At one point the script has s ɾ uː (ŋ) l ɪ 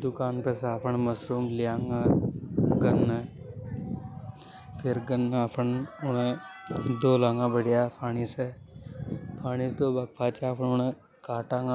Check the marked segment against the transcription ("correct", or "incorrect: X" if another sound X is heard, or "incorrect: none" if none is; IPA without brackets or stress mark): incorrect: m